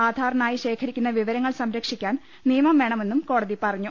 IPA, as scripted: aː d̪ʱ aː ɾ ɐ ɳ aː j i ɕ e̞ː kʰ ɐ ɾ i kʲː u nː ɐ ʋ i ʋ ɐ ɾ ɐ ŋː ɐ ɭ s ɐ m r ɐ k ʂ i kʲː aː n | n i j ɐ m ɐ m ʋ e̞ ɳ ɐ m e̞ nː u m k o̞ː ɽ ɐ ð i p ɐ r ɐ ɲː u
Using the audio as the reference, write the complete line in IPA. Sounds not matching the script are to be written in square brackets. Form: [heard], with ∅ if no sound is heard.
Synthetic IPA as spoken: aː d̪ʱ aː ɾ ɐ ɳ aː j i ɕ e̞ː kʰ ɐ ɾ i kʲː u nː ɐ ʋ i ʋ ɐ ɾ ɐ ŋː ɐ ɭ s ɐ m [ɾ] ɐ k ʂ i kʲː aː n | n i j ɐ m ɐ m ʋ e̞ ɳ ɐ m e̞ nː u m k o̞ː ɽ ɐ ð i p ɐ r ɐ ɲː u

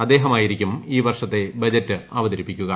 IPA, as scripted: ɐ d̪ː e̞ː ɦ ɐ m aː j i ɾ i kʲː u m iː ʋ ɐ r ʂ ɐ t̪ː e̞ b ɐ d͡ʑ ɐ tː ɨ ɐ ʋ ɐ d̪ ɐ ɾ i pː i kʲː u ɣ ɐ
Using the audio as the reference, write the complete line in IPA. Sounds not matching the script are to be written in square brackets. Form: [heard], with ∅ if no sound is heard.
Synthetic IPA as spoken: ɐ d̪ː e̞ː ɦ ɐ m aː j i ɾ i kʲː u m iː ʋ ɐ r ʂ ɐ t̪ː e̞ b ɐ d͡ʑ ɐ tː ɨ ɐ ʋ ɐ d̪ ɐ ɾ i pː i kʲː u ɣ ɐ

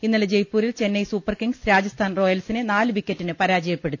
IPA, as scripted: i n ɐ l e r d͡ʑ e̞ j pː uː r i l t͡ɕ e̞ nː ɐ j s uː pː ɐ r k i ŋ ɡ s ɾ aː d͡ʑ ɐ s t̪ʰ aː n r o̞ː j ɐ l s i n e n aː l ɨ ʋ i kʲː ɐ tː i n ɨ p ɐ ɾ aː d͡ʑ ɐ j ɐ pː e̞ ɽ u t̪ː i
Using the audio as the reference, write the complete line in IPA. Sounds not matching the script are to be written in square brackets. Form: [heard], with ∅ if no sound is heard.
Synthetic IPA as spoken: i [nː] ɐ l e [∅] d͡ʑ e̞ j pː uː [ɾ] i l t͡ɕ e̞ nː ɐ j s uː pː ɐ r k i ŋ ɡ s ɾ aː d͡ʑ ɐ s t̪ʰ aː n r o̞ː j ɐ l s i n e n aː l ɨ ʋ i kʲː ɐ tː i n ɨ p ɐ ɾ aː d͡ʑ ɐ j ɐ pː e̞ ɽ u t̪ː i

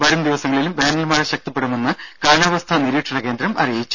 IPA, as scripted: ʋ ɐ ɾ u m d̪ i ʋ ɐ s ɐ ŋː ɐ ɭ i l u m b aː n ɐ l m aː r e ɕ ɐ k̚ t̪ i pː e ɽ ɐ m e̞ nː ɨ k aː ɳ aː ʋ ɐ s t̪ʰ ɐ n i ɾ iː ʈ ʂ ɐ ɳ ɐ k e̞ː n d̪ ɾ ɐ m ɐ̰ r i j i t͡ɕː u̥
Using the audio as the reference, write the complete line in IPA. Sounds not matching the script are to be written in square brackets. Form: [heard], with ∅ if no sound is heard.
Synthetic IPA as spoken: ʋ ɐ ɾ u m d̪ i ʋ ɐ s ɐ ŋː ɐ ɭ i l u m b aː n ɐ l m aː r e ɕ ɐ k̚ t̪ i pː e ɽ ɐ m e̞ nː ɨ k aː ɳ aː ʋ ɐ s t̪ʰ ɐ n i ɾ iː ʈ ʂ ɐ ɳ ɐ k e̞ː n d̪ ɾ ɐ m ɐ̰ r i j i t͡ɕː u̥

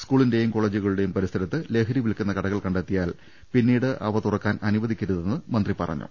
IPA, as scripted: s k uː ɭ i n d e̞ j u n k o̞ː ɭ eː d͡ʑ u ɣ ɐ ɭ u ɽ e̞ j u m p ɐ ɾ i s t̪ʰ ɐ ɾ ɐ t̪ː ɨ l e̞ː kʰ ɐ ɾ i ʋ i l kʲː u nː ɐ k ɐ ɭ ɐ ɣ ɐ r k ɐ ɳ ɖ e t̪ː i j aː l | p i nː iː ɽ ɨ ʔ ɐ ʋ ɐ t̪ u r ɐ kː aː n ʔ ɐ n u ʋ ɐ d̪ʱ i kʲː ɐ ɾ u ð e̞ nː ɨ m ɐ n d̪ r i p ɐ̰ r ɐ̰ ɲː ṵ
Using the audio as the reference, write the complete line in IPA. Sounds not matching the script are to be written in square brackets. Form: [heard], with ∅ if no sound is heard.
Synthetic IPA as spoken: s k uː ɭ i n d e̞ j u [m] k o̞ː ɭ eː d͡ʑ u ɣ ɐ ɭ u ɽ e̞ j u m p ɐ ɾ i s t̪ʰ ɐ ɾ ɐ t̪ː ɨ l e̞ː kʰ ɐ ɾ i ʋ i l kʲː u nː ɐ k ɐ [ɽ] ɐ ɣ ɐ [ɭ] k ɐ ɳ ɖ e t̪ː i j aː l | p i nː iː ɽ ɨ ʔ ɐ ʋ ɐ t̪ u r ɐ kː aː n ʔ ɐ n u ʋ ɐ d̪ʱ i kʲː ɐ ɾ u ð e̞ nː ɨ m ɐ n d̪ r i p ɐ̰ r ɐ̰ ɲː ṵ

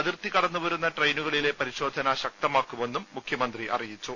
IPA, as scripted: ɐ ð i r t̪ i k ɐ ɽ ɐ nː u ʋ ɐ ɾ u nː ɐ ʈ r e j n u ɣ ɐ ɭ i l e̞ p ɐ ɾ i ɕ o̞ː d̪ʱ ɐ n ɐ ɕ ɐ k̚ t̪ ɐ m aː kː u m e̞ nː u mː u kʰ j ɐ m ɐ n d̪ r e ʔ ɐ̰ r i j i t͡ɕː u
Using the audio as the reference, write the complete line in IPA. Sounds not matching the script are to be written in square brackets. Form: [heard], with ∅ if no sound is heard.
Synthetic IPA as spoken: ɐ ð i r t̪ i k ɐ ɽ ɐ nː u ʋ ɐ ɾ u nː ɐ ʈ r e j n u ɣ ɐ ɭ i l e̞ p ɐ ɾ i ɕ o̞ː d̪ʱ ɐ n ɐ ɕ ɐ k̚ t̪ ɐ m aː kː u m e̞ nː u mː u kʰ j ɐ m ɐ n d̪ r [i] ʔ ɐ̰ r i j i t͡ɕː u

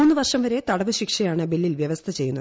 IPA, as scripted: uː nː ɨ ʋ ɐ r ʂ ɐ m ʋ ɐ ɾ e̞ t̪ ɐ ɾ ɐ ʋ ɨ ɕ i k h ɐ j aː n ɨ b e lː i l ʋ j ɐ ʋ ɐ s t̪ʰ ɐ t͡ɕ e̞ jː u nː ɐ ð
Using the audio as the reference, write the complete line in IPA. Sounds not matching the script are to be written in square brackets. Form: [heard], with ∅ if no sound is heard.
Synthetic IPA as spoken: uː nː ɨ ʋ ɐ r ʂ ɐ m ʋ ɐ ɾ e̞ t̪ ɐ [ɽ] ɐ ʋ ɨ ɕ i k [ʂ] ɐ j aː [ɳ] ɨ b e lː i l ʋ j ɐ ʋ ɐ s t̪ʰ ɐ t͡ɕ e̞ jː u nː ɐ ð

